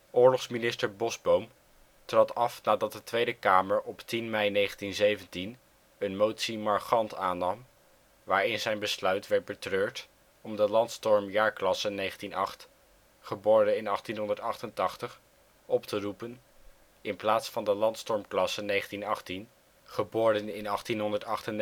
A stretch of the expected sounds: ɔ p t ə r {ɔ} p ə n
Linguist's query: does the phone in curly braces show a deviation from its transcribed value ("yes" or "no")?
yes